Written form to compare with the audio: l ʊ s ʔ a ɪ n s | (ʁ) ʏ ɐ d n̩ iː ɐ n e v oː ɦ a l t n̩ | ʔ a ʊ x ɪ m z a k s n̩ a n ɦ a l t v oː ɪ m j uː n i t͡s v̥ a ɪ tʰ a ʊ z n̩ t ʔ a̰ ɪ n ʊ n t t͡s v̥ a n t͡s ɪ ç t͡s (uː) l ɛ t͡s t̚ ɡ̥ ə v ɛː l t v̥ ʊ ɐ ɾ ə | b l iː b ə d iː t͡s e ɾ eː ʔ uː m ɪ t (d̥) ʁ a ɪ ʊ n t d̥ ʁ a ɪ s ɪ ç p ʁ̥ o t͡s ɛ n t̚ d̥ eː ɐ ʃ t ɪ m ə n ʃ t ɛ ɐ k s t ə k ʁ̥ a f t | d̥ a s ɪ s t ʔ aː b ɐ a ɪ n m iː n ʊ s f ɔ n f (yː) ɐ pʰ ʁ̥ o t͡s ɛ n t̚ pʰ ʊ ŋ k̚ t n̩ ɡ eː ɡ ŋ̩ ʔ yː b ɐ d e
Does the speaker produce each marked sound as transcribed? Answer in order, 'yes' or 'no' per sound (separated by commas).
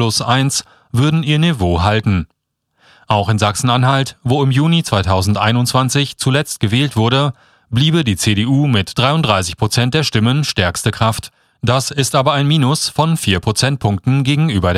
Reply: no, no, yes, no